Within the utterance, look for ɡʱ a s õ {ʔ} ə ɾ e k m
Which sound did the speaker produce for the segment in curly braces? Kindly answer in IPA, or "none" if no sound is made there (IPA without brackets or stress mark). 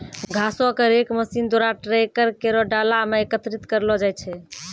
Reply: k